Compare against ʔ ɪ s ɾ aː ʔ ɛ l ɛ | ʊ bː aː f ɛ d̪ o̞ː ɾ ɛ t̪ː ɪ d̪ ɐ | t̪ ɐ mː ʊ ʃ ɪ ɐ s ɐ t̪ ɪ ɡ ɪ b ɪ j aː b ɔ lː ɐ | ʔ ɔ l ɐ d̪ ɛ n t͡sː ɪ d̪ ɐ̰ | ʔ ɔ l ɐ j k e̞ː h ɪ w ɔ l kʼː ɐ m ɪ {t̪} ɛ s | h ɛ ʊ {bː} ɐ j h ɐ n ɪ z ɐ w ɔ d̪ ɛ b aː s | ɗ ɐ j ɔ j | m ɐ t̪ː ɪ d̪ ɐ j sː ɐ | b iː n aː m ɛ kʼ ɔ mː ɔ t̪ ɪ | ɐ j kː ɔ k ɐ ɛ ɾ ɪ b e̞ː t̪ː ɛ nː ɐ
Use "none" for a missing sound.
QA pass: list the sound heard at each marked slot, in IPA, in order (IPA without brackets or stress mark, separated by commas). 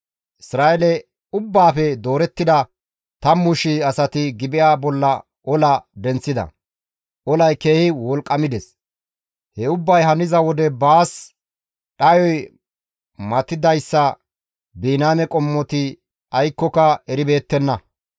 d̪, bː